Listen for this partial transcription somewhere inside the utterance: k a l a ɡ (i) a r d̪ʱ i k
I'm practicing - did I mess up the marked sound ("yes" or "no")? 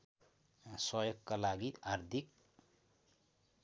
no